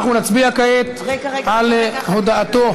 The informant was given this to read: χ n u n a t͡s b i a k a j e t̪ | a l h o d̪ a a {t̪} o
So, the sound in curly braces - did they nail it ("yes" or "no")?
yes